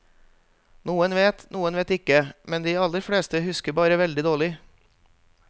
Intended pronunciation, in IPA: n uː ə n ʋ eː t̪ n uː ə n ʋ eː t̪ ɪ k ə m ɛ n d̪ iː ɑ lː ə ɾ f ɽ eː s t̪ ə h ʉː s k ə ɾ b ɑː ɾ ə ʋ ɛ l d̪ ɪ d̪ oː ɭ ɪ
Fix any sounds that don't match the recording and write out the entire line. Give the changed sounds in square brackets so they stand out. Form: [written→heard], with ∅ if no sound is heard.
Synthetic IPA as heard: n uː ə n ʋ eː t̪ n uː ə n ʋ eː t̪ ɪ k ə m ɛ n d̪ iː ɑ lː ə ɾ f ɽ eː s t̪ ə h [ʉː→ʉ] s k ə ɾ b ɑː ɾ ə ʋ ɛ l d̪ ɪ d̪ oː ɭ ɪ

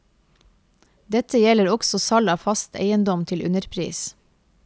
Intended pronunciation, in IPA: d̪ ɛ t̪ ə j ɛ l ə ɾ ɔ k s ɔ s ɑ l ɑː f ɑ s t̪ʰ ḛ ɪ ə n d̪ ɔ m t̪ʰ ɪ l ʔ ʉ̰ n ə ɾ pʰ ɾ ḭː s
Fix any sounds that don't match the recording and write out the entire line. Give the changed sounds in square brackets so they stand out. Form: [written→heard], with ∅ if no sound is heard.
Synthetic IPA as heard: d̪ ɛ t̪ ə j ɛ l ə ɾ ɔ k s ɔ s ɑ l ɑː f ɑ s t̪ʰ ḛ ɪ ə n d̪ ɔ m t̪ʰ ɪ l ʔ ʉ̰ n ə ɾ pʰ ɾ ḭː s

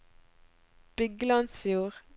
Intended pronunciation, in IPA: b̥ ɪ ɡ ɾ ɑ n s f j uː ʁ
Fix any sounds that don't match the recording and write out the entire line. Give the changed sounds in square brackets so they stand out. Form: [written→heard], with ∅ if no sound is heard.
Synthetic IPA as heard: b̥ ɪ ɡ [ɾ→l] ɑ n s f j uː ʁ

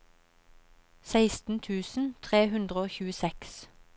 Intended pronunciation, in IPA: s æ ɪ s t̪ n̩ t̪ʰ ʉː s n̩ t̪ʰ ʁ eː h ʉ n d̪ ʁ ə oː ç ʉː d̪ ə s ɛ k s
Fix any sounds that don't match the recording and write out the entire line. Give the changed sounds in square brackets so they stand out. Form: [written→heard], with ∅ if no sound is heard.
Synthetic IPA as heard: s æ ɪ s t̪ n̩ t̪ʰ ʉː s n̩ t̪ʰ ʁ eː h ʉ n d̪ ʁ ə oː ç ʉː [d̪→∅] ə s ɛ k s

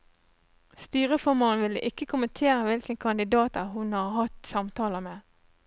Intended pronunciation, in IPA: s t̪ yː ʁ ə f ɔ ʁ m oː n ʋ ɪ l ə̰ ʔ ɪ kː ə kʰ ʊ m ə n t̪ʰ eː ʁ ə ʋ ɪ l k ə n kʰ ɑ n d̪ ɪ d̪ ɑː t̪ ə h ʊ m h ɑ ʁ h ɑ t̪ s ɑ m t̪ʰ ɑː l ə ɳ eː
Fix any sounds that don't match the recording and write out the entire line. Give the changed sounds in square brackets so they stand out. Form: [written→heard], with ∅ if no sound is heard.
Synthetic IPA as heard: s t̪ yː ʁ ə f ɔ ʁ m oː n ʋ ɪ l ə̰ ʔ ɪ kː ə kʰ ʊ m ə n t̪ʰ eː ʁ ə ʋ ɪ l k ə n kʰ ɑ n d̪ ɪ d̪ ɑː t̪ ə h ʊ [m→n] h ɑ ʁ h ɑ t̪ s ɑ m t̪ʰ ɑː l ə [ɳ→m] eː

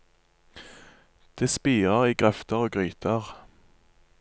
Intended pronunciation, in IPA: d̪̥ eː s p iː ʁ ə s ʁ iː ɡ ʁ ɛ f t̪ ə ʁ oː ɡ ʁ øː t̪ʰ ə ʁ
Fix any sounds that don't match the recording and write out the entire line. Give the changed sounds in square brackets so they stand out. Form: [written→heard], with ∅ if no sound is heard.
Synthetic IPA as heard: d̪̥ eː s p iː ʁ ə [s→∅] ʁ iː ɡ ʁ ɛ f t̪ ə ʁ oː ɡ ʁ [øː→yː] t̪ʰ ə ʁ

